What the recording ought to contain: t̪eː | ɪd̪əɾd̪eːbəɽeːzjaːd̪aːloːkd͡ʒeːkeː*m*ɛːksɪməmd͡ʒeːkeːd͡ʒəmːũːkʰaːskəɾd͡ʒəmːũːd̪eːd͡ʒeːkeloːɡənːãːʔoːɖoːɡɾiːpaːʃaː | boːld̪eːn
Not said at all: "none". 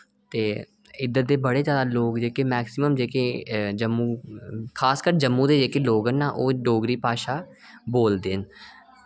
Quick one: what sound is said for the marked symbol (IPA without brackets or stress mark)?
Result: m